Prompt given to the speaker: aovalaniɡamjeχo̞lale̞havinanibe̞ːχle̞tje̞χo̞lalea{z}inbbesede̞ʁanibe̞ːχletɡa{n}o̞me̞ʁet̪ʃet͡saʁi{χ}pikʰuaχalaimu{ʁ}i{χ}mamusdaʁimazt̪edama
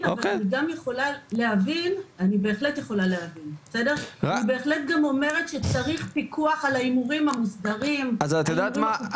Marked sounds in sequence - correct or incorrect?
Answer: incorrect, incorrect, correct, correct, incorrect

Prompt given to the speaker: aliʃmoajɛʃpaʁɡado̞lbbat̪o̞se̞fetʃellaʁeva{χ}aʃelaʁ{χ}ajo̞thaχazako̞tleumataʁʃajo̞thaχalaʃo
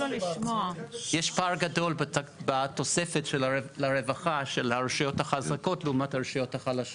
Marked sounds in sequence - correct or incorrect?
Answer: correct, incorrect

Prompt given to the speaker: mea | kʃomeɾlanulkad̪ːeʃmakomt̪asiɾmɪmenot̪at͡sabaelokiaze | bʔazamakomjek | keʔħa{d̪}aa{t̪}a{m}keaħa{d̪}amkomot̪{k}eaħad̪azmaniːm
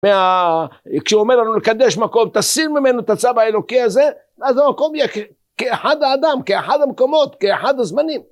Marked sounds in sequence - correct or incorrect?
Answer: correct, incorrect, correct, correct, correct

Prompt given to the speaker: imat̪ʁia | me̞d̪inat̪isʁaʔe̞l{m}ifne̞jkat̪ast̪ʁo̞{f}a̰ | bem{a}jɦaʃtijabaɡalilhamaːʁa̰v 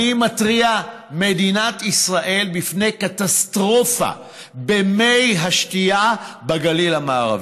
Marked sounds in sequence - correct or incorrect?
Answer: incorrect, correct, incorrect

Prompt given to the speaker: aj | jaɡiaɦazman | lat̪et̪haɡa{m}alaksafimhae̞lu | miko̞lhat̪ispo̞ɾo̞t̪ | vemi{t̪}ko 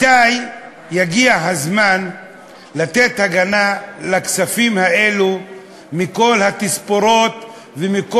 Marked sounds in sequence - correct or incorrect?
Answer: incorrect, incorrect

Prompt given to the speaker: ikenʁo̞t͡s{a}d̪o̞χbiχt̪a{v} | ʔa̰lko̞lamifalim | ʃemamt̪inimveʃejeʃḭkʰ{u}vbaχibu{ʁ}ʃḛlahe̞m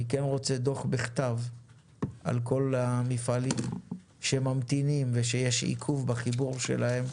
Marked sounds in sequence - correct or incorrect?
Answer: incorrect, correct, correct, correct

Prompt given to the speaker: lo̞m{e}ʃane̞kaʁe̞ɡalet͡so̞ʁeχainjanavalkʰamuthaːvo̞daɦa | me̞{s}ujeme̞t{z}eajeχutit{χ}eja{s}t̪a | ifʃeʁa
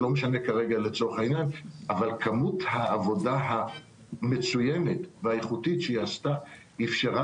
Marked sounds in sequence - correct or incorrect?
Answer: correct, incorrect, incorrect, incorrect, correct

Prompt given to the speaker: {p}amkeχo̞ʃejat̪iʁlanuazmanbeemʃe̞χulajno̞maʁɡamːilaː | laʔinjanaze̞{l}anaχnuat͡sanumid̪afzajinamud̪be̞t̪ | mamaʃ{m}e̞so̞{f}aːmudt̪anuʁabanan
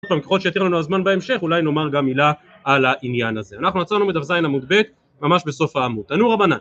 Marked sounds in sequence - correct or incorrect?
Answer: correct, incorrect, incorrect, correct

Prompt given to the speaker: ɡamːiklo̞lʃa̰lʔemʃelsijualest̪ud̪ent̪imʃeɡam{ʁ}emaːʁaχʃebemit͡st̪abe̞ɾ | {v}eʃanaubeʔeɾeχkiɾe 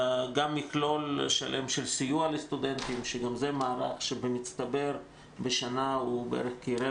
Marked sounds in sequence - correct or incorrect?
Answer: incorrect, incorrect

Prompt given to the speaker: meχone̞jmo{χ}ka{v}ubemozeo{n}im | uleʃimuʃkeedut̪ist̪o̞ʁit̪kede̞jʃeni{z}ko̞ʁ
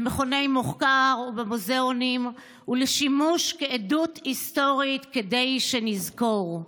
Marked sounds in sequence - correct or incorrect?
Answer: correct, incorrect, correct, correct

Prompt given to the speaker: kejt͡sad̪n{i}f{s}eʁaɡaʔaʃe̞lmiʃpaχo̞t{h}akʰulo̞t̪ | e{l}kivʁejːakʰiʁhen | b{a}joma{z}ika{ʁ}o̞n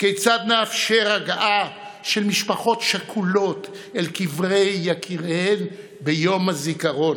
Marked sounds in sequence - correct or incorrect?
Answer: incorrect, incorrect, incorrect, correct, incorrect, correct, correct

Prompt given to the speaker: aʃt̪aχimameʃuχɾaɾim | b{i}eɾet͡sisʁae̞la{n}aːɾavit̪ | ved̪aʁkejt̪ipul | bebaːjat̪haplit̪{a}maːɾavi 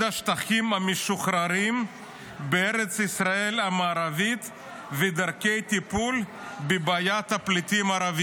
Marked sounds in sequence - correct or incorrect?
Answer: incorrect, incorrect, incorrect

